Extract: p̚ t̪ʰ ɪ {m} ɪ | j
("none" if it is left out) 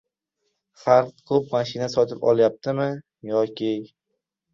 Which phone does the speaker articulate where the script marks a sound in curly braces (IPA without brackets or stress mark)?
m